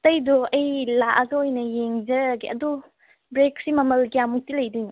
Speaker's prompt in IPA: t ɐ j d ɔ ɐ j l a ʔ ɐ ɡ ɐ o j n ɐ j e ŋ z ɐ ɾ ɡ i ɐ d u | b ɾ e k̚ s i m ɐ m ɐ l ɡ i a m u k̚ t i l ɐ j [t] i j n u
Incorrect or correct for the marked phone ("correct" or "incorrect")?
incorrect